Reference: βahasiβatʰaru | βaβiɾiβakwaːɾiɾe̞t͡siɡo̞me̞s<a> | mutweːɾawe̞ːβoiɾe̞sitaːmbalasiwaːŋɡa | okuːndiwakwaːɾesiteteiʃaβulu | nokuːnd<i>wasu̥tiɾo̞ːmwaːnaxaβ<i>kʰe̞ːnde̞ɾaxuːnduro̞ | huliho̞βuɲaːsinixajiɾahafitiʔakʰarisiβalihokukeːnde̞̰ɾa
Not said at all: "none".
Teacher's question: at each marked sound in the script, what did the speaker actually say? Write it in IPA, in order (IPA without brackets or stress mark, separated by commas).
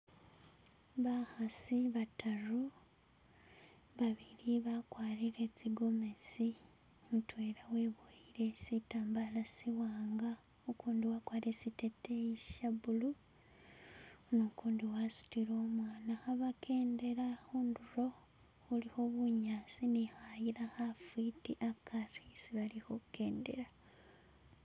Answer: i, i, a